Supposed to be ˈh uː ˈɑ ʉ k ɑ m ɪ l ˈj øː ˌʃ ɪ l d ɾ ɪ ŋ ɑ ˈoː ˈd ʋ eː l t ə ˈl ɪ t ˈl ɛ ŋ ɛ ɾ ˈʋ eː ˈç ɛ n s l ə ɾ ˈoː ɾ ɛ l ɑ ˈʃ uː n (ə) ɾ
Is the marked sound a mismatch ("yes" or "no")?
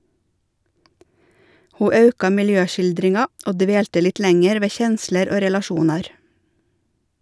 yes